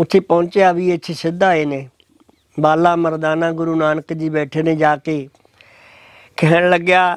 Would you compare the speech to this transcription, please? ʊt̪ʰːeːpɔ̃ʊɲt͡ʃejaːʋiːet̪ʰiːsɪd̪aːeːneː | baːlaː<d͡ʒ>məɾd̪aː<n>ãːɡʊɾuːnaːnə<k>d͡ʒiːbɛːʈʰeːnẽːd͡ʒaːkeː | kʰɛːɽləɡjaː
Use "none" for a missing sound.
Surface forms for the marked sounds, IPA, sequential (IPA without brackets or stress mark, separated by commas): none, n, k